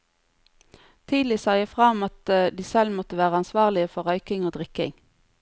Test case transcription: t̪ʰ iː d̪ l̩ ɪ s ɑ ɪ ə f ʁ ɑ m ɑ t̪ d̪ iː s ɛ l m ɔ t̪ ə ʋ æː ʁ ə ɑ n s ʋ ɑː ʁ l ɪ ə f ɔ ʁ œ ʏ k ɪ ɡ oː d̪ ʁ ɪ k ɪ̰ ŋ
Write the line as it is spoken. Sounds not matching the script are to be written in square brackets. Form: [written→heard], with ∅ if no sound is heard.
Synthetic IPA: t̪ʰ iː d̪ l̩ ɪ s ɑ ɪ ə f ʁ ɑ m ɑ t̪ d̪ iː s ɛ l m ɔ t̪ ə ʋ æː ʁ ə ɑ n s ʋ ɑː ʁ l ɪ ə f ɔ ʁ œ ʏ k ɪ [ɡ→ŋ] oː d̪ ʁ ɪ k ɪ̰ ŋ